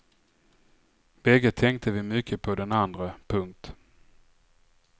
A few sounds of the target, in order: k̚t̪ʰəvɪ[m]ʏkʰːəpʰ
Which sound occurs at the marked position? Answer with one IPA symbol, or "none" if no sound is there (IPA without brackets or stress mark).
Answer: m